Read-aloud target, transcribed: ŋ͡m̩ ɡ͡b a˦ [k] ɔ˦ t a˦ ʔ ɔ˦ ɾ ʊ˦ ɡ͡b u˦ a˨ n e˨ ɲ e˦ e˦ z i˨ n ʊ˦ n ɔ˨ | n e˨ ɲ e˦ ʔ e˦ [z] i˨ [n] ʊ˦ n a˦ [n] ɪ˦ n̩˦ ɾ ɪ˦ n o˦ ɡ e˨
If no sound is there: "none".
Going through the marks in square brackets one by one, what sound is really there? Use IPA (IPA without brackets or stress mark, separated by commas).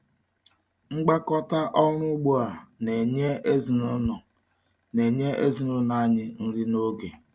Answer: k, z, n, ɲ